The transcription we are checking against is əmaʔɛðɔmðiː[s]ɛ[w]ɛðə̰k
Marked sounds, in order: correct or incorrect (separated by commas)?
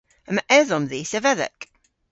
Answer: correct, incorrect